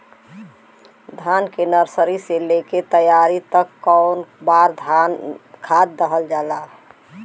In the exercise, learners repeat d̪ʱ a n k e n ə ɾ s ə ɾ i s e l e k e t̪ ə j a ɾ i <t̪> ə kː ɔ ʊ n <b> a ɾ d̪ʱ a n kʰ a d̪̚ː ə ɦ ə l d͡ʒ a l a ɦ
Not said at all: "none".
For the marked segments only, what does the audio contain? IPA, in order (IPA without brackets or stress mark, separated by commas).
t̪, b